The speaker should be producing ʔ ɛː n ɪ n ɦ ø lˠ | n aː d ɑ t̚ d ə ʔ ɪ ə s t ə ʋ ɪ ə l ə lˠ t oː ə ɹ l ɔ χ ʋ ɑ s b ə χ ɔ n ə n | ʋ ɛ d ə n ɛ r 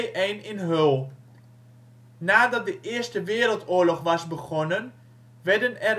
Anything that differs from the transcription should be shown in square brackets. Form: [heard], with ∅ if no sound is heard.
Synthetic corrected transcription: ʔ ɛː n ɪ n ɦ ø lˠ | n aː d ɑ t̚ d ə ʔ ɪ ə s t ə ʋ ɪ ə [ɾ] ə lˠ t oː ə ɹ l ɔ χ ʋ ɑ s b ə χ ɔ n ə n | ʋ ɛ d ə n ɛ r

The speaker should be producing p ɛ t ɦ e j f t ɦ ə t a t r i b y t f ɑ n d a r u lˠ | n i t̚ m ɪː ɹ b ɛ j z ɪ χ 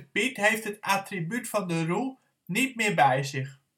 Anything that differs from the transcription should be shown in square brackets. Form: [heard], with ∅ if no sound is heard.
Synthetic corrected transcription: p [i] t ɦ e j f t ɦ ə t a t r i b y t f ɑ n d [ə] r u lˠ | n i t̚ m ɪː ɹ b ɛ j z ɪ χ

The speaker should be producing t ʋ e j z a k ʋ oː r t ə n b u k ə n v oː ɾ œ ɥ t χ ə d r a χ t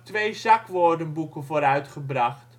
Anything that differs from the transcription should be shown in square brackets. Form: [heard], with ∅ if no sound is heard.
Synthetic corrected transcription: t ʋ e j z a k ʋ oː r [d] ə n b u k ə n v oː ɾ œ ɥ t χ ə [b] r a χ t

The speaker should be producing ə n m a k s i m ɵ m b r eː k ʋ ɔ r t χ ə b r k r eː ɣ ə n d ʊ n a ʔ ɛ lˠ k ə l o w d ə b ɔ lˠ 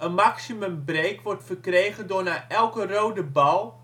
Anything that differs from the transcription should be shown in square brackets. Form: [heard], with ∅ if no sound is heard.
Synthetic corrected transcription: ə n m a k s i m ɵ m b r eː k ʋ ɔ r t [f] ə [∅] r k r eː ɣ ə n d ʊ n a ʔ ɛ lˠ k ə [r] o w d ə b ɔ lˠ

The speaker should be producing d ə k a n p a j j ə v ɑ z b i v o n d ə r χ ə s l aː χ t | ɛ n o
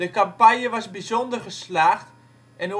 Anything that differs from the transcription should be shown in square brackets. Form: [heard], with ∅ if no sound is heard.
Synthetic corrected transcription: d ə k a [m] p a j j ə [ʋ] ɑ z b i [z] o n d ə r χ ə s l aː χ t | ɛ n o

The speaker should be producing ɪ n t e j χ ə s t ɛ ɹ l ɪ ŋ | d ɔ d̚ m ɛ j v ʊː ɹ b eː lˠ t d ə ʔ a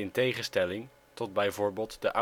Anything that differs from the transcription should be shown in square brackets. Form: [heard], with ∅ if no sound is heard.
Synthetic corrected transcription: ɪ n t e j χ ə s t ɛ [∅] l ɪ ŋ | [t] ɔ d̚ [b] ɛ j v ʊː ɹ b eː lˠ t d ə ʔ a

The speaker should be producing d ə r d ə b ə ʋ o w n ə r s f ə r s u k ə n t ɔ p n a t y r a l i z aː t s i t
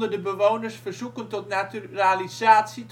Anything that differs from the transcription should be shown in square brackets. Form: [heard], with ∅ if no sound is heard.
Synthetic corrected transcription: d ə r d ə b ə ʋ o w n ə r s f ə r [z] u k ə n t ɔ [t] n a t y r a l i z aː t s i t

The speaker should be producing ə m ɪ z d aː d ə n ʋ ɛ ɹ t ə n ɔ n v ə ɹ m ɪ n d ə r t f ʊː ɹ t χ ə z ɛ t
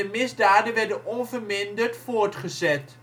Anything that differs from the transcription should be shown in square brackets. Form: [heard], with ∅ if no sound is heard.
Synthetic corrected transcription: ə m ɪ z d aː d ə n ʋ ɛ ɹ [d] ə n ɔ n v ə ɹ m ɪ n d ə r t f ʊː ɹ t χ ə z ɛ t

